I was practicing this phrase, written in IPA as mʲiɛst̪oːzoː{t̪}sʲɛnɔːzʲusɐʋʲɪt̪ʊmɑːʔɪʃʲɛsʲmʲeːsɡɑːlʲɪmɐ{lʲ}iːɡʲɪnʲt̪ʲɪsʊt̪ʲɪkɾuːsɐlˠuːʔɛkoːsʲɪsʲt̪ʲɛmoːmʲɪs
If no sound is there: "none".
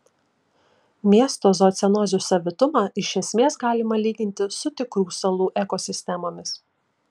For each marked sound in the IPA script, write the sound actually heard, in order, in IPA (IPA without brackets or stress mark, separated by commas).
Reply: t̪, lʲ